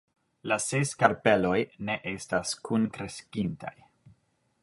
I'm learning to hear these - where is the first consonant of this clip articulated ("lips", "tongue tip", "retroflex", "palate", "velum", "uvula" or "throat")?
tongue tip